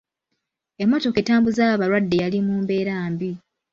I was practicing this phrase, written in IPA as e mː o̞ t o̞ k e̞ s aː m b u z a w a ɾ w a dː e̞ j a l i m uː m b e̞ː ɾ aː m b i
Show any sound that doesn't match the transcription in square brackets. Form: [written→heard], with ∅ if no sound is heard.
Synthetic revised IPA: e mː o̞ t o̞ k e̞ [s→t] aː m b u z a [w→β] a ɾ w a dː e̞ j a l i m uː m b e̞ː ɾ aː m b i